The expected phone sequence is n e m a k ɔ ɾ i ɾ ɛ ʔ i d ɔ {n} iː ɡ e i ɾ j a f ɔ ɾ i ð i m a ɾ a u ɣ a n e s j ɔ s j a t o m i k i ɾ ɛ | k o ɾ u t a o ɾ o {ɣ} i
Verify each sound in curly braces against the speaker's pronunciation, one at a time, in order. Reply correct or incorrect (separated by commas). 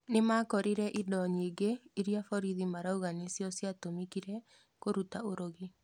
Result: incorrect, correct